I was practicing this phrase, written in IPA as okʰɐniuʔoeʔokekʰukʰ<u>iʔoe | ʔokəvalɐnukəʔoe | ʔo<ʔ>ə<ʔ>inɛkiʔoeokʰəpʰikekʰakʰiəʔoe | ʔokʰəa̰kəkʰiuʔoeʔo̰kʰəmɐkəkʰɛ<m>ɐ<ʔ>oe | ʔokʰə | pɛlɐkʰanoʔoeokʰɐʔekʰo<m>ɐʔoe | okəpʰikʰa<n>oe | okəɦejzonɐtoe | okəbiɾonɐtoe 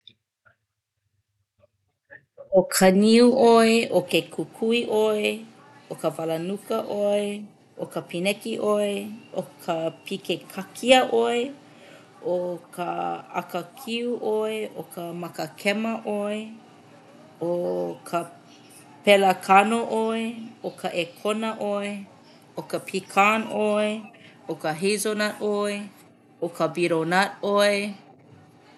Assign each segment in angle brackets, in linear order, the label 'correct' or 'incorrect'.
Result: correct, incorrect: k, incorrect: p, correct, correct, incorrect: n, correct

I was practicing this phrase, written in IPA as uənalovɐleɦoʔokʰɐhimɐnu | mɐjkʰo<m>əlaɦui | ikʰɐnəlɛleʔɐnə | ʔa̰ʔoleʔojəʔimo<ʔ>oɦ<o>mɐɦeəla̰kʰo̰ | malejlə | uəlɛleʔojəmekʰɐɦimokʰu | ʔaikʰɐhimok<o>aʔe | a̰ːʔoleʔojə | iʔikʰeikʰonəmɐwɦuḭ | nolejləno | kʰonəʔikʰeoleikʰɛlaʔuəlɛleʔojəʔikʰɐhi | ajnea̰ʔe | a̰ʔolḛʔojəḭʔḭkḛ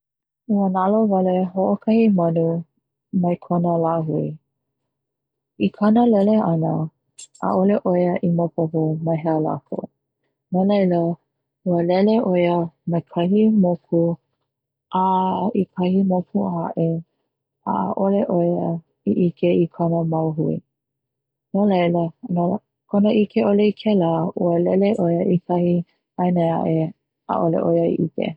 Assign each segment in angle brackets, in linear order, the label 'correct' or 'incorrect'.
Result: incorrect: n, incorrect: p, correct, incorrect: u

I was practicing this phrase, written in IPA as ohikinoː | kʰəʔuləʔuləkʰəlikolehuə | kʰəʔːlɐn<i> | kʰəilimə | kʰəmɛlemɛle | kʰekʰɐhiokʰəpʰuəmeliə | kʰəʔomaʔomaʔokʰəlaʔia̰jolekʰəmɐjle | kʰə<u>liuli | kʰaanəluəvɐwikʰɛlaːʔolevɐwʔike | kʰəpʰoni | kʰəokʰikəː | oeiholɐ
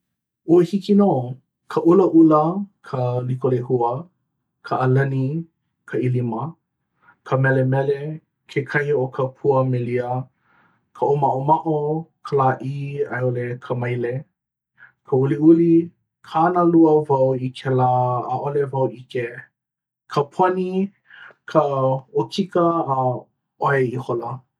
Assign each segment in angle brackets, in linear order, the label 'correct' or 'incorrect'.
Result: correct, correct

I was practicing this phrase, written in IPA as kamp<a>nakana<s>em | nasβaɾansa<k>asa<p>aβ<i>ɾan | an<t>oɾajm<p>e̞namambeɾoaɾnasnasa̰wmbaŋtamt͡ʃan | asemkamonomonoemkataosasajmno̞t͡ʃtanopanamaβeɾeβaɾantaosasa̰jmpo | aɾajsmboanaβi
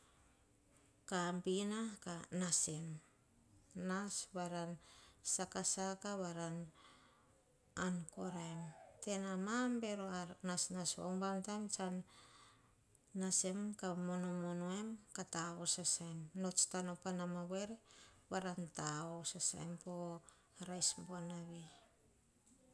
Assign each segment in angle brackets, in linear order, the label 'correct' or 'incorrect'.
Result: incorrect: i, correct, correct, incorrect: k, incorrect: a, incorrect: k, incorrect: t

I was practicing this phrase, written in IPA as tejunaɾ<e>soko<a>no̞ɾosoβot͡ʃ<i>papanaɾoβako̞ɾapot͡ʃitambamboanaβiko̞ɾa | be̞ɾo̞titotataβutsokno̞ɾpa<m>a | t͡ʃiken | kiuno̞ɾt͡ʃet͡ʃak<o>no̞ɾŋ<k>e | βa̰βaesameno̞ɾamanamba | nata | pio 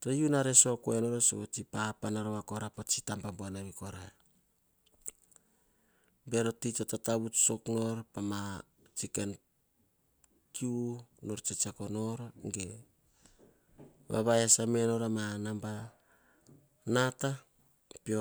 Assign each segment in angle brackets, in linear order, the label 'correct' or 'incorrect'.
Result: correct, incorrect: e, correct, correct, correct, incorrect: ɡ

